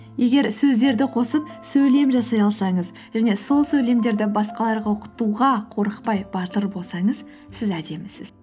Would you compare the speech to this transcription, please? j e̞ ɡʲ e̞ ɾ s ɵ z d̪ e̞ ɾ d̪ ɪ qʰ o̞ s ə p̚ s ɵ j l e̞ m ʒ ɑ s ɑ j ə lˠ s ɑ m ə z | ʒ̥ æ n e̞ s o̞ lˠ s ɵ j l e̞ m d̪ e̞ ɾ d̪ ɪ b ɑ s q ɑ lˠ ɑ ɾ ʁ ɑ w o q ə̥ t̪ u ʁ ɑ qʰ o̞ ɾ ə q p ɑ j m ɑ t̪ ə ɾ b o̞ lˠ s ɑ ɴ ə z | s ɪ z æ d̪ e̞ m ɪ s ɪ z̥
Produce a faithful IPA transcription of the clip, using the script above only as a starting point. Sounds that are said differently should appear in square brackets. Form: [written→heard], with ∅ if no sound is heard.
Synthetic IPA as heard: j e̞ ɡʲ e̞ ɾ s ɵ z d̪ e̞ ɾ d̪ ɪ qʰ o̞ s ə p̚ s ɵ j l e̞ m ʒ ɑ s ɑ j [ə→ɑ] lˠ s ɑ [m→ɴ] ə z | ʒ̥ æ n e̞ s o̞ lˠ s ɵ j l e̞ m d̪ e̞ ɾ d̪ ɪ b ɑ s q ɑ lˠ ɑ ɾ ʁ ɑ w o q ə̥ t̪ u ʁ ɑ qʰ o̞ ɾ ə q p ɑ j [m→b] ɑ t̪ ə ɾ b o̞ lˠ s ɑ ɴ ə z | s ɪ z æ d̪ e̞ m ɪ s ɪ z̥

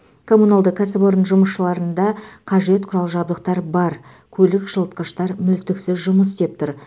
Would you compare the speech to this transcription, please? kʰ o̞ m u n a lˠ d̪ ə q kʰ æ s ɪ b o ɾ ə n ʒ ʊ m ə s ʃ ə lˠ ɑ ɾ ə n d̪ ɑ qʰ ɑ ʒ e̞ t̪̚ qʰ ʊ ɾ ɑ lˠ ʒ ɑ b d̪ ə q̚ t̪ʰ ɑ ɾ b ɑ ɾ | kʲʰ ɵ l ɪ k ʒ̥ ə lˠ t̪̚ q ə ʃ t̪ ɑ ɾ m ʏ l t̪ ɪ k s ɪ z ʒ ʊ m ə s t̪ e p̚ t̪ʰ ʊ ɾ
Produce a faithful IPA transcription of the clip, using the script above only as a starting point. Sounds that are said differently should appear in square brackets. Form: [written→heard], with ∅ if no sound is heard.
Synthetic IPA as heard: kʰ o̞ m u n a lˠ d̪ ə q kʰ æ s ɪ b o ɾ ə n ʒ ʊ m ə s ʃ ə lˠ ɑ ɾ ə n d̪ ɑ qʰ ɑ ʒ e̞ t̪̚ qʰ ʊ ɾ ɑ lˠ ʒ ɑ b d̪ ə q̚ [t̪ʰ→t̪] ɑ ɾ b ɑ ɾ | kʲʰ ɵ l ɪ k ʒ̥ ə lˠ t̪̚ q ə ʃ t̪ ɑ ɾ m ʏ l t̪ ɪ k s ɪ z ʒ ʊ m ə s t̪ e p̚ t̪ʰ ʊ ɾ

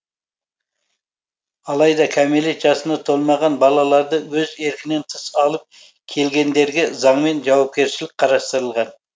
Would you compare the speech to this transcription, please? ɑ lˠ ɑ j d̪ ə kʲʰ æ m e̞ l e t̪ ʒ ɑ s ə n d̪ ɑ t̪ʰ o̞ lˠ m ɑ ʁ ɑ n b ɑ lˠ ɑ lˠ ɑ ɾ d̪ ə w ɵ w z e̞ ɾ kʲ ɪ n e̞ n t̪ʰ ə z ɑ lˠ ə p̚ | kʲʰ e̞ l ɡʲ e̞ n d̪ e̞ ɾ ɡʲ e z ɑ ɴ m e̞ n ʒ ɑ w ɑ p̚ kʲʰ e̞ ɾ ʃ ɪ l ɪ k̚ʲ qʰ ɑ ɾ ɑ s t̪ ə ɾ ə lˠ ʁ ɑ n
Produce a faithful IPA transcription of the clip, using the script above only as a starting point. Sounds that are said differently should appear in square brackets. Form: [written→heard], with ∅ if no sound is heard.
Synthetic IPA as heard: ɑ lˠ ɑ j d̪ [ə→ɑ] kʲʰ æ m e̞ l e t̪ ʒ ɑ s ə n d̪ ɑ t̪ʰ o̞ lˠ m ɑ ʁ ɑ n b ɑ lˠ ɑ lˠ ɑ ɾ d̪ ə w ɵ [w→∅] z e̞ ɾ kʲ ɪ n e̞ n t̪ʰ ə [z→s] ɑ lˠ ə p̚ | kʲʰ e̞ l ɡʲ e̞ n d̪ e̞ ɾ ɡʲ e z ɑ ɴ m e̞ n ʒ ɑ w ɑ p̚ [kʲʰ→kʲ] e̞ ɾ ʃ ɪ l ɪ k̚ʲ qʰ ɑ ɾ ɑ s t̪ ə ɾ ə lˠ ʁ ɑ n

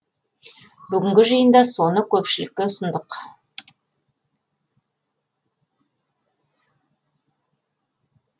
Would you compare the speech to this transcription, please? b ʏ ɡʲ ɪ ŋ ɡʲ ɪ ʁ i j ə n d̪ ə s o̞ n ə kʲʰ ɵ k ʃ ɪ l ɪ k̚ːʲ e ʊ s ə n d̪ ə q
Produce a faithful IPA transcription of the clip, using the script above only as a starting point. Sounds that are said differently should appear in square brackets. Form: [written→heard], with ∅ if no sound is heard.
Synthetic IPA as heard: b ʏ ɡʲ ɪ ŋ ɡʲ ɪ [ʁ→ʒ] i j ə n d̪ [ə→ɑ] s o̞ n ə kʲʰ ɵ [k→p] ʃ ɪ l ɪ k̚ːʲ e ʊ s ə n d̪ ə q

